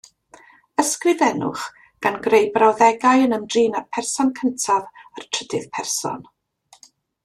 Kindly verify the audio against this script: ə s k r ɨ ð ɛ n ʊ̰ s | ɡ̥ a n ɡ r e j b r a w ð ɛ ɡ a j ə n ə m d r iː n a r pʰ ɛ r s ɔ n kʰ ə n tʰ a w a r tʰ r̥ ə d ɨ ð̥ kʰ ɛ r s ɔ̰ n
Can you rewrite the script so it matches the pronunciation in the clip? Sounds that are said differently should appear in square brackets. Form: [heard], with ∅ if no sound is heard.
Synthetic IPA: ə s k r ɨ ð ɛ n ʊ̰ [χ] | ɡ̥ a n ɡ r e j b r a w ð ɛ ɡ a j ə n ə m d r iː n a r pʰ ɛ r s ɔ n kʰ ə n tʰ a [v] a r tʰ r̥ ə d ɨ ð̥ [pʰ] ɛ r s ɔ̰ n

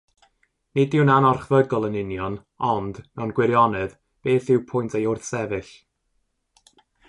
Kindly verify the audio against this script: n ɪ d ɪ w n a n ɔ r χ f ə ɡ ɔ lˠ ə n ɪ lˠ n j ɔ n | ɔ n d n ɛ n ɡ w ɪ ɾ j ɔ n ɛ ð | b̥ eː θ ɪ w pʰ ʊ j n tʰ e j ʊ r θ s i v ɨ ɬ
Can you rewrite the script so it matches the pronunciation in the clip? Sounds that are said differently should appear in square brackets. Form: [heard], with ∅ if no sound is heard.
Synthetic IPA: n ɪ d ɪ w n a n ɔ r χ [v] ə ɡ ɔ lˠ ə n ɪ [∅] n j ɔ n | ɔ n d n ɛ n ɡ w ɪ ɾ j ɔ n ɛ ð | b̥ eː θ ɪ w pʰ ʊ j n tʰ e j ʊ r θ s [ɛ] v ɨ ɬ

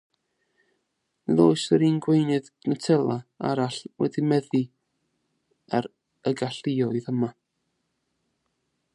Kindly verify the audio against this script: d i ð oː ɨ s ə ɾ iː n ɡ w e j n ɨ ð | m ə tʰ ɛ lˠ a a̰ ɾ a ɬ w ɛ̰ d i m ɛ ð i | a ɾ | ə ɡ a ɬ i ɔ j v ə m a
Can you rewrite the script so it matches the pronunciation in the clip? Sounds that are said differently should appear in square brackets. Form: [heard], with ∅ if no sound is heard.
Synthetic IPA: [n] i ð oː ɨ s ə ɾ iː n ɡ w e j n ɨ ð | [n] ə tʰ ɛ lˠ a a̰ ɾ a ɬ w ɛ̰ d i m ɛ ð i | a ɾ | ə ɡ a ɬ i ɔ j [ð] ə m a

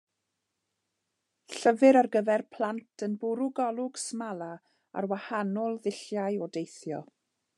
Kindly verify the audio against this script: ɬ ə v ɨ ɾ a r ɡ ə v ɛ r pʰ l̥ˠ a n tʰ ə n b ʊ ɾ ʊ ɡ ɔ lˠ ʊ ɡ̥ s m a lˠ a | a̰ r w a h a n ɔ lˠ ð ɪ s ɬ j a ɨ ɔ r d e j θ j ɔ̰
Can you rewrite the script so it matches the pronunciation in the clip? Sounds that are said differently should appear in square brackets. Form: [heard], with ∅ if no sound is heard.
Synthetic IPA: ɬ ə v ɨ ɾ a r ɡ ə v ɛ r pʰ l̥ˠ a n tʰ ə n b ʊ ɾ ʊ ɡ ɔ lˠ ʊ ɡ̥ s m a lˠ a | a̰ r w a h a n ɔ lˠ ð ɪ [∅] ɬ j a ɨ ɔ [∅] d e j θ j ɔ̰

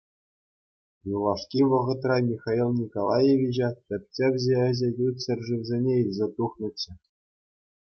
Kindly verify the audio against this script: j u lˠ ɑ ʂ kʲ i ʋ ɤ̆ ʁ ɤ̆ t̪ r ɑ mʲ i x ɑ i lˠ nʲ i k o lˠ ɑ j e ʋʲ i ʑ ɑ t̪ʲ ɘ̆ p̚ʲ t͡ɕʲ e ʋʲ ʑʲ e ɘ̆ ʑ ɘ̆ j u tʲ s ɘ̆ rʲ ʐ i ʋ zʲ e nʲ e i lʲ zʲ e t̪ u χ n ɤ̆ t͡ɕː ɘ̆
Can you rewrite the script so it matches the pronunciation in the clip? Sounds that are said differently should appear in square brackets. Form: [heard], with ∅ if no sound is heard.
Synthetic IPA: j u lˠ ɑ ʂ kʲ i ʋ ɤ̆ ʁ ɤ̆ t̪ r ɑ mʲ i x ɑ i lˠ nʲ i k o lˠ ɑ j e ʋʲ i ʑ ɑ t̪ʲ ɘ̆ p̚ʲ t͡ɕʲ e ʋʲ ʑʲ e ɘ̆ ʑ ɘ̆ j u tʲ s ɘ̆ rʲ ʐ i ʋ zʲ e nʲ e i lʲ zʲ e t̪ u χ n ɤ̆ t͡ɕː ɘ̆

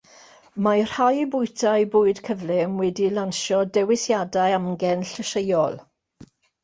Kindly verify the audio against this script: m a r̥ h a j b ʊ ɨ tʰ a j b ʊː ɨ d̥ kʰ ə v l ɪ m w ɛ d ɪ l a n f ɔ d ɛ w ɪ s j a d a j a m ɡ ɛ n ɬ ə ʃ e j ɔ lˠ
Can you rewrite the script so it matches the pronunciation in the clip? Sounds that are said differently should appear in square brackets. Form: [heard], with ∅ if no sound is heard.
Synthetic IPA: m a r̥ h a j b ʊ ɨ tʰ a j b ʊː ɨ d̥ kʰ ə v l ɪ m w ɛ d [i] l a n [ʃ] ɔ d ɛ w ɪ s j a d a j a m ɡ ɛ n ɬ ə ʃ e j ɔ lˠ

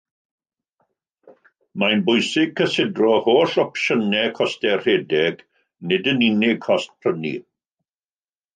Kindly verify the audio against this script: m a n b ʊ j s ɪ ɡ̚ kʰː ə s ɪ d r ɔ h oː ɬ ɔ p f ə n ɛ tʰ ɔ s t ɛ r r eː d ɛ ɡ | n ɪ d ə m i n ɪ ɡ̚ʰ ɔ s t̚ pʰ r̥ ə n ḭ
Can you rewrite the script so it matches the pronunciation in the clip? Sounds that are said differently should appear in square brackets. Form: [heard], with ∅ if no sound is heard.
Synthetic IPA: m a n b ʊ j s ɪ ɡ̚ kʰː ə s ɪ d r ɔ h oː ɬ ɔ p [ʃ] ə n ɛ [kʰ] ɔ s t ɛ r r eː d ɛ ɡ | n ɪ d ə [n] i n ɪ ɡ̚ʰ ɔ s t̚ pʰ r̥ ə n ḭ

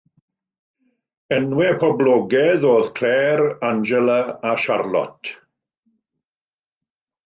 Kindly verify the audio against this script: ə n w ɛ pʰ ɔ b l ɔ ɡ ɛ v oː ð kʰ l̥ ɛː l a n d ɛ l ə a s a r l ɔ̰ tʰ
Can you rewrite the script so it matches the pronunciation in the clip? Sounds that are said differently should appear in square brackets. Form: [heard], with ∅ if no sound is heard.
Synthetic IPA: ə n w ɛ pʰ ɔ b l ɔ ɡ ɛ [ð] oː ð kʰ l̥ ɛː [ɾ] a n [d͡ʒ] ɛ l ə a [ʃ] a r l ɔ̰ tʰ

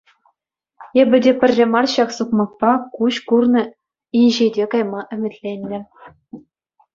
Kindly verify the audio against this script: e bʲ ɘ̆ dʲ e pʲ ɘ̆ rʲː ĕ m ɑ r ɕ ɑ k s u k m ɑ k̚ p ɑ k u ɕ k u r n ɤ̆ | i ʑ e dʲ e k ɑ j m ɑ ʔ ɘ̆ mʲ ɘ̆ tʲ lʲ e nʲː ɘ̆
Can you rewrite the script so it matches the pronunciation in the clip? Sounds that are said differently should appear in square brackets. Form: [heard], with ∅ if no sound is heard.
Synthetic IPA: e bʲ ɘ̆ dʲ e pʲ ɘ̆ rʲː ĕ m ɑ r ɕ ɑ k s u k m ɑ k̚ p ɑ k u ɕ k u r n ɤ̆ | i ʑ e dʲ e k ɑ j m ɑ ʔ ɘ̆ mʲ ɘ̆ tʲ lʲ e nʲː ɘ̆

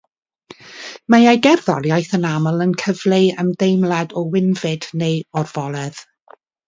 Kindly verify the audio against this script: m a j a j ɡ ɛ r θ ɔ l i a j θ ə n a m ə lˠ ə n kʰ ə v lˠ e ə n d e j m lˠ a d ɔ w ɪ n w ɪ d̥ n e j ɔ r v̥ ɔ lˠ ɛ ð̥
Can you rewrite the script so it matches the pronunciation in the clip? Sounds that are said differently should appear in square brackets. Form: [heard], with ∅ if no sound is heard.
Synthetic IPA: m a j a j ɡ ɛ r [ð] ɔ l [j] a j θ ə n a m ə lˠ ə n kʰ ə v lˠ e ə [m] d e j m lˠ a d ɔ w ɪ n [v] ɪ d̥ n e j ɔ r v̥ ɔ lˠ ɛ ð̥

